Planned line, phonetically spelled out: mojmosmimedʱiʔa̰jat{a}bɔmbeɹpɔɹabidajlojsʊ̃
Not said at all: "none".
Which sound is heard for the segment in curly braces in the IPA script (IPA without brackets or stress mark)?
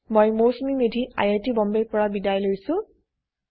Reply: i